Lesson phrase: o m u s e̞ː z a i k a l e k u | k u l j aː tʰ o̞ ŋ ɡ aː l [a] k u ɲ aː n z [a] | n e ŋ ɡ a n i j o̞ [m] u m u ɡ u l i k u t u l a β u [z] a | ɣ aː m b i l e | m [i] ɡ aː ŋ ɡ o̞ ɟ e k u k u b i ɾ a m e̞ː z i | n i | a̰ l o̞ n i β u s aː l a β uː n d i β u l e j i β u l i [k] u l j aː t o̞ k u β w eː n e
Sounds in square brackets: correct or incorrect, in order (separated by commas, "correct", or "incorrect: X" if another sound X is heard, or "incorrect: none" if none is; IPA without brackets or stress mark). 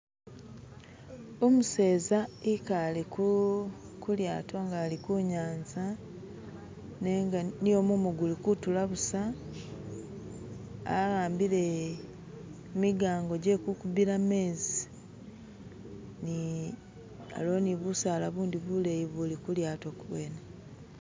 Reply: incorrect: i, correct, correct, incorrect: s, correct, correct